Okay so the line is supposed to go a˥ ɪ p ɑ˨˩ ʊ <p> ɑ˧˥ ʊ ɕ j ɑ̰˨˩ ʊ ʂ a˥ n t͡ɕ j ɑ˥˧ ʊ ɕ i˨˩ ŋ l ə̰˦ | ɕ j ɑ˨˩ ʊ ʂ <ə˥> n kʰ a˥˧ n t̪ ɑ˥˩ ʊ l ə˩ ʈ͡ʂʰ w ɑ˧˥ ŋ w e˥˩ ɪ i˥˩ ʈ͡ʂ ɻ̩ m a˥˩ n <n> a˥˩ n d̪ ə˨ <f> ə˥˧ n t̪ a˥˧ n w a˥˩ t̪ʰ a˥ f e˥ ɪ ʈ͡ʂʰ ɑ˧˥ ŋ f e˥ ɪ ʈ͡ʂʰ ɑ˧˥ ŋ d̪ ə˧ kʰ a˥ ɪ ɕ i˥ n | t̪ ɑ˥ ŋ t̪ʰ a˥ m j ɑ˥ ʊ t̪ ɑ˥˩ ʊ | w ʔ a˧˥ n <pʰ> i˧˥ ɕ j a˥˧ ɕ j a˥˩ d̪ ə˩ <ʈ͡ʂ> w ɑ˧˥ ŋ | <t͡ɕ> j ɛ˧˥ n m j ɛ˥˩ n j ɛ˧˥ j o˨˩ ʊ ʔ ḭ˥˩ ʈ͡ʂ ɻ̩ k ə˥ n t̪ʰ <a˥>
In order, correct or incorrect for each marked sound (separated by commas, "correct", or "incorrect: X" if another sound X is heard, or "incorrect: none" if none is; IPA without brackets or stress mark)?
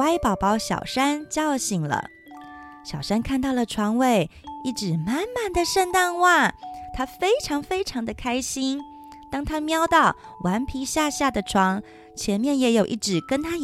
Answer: correct, incorrect: a˥, incorrect: m, incorrect: ʂ, correct, incorrect: ʈ͡ʂʰ, incorrect: t͡ɕʰ, correct